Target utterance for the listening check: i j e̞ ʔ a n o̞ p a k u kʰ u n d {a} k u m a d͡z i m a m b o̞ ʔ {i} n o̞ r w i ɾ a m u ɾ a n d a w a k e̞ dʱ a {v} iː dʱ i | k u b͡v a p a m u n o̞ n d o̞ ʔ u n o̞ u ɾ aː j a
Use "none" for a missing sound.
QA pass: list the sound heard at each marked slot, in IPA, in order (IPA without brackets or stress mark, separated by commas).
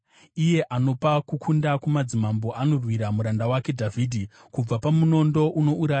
a, a, v